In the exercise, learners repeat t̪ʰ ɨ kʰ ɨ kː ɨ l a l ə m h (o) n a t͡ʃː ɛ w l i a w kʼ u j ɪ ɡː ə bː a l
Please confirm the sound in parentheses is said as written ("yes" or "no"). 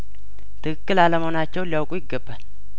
yes